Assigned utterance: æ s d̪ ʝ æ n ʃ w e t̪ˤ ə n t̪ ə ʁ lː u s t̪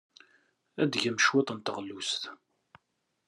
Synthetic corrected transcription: æ d̪ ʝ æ m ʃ w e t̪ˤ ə n t̪ ə ʁ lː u s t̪